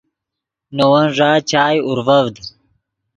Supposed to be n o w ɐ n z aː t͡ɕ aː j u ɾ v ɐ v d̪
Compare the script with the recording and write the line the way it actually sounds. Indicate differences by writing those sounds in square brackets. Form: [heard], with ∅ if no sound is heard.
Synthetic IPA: n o w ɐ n [ʐ] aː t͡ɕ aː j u ɾ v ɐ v d̪